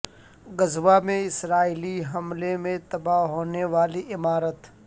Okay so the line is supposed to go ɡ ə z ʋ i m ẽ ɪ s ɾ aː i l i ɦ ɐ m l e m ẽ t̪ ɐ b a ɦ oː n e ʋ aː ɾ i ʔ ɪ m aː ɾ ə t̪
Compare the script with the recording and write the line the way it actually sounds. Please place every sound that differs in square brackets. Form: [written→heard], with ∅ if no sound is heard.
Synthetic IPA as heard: ɡ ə z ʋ [i→a] m ẽ ɪ s ɾ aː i l i ɦ ɐ m l e m ẽ t̪ ɐ b a ɦ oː n e ʋ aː [ɾ→l] i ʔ ɪ m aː ɾ ə t̪